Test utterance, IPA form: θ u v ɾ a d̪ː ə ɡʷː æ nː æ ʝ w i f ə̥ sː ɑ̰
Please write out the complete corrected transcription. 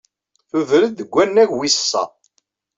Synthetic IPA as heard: θ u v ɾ ə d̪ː ə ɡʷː æ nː æ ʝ w i s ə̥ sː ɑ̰